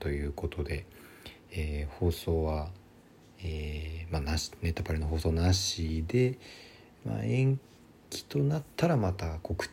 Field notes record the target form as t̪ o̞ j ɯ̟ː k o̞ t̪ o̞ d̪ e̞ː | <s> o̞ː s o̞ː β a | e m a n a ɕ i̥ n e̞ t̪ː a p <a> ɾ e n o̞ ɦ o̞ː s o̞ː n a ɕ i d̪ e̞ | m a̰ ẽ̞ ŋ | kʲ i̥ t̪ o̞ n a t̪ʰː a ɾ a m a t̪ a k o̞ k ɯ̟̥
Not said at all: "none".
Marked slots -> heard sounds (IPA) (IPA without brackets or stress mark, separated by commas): h, a